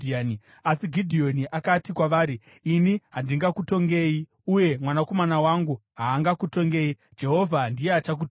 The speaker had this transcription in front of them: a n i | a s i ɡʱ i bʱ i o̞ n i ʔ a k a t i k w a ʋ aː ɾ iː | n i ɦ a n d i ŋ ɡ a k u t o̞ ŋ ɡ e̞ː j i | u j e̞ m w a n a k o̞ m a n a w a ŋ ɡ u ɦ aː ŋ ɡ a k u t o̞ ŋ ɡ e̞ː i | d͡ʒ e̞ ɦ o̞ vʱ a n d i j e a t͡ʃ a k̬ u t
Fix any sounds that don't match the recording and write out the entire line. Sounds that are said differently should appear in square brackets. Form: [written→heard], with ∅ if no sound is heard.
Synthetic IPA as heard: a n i | a s i ɡʱ i [bʱ→dʱ] i o̞ n i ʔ a k a t i k w a ʋ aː ɾ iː | n i ɦ a n d i ŋ ɡ a k u t o̞ ŋ ɡ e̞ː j i | u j e̞ m w a n a k o̞ m a n a w a ŋ ɡ u ɦ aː ŋ ɡ a k u t o̞ ŋ ɡ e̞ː i | d͡ʒ e̞ ɦ o̞ vʱ a n d i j e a t͡ʃ a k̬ u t